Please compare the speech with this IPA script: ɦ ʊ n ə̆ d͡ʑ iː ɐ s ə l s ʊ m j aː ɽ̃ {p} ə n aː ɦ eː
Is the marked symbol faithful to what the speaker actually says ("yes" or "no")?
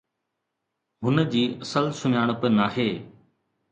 yes